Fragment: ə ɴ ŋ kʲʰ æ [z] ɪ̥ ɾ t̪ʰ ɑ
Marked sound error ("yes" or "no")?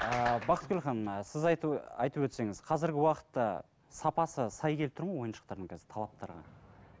no